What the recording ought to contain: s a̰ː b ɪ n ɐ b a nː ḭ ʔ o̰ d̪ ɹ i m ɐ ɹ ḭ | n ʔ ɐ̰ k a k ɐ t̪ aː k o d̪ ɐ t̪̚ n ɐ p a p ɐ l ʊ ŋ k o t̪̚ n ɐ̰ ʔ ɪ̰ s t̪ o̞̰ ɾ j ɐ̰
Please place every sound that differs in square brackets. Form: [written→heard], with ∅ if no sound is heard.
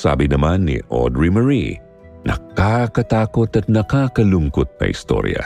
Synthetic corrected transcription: s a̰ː b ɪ n ɐ [b→m] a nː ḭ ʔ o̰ d̪ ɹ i m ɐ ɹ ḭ | n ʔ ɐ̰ k a k ɐ t̪ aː k o [d̪→t̪] ɐ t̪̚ n ɐ [p→k] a [p→k] ɐ l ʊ ŋ k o t̪̚ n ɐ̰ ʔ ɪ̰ s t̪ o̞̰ ɾ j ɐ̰